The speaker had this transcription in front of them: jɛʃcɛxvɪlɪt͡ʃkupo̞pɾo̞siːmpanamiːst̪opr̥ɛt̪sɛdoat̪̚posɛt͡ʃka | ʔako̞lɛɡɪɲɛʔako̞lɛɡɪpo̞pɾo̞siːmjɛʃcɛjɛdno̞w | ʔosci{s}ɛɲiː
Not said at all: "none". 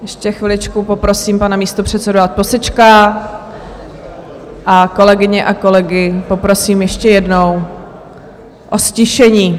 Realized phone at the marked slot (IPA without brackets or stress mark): ʃ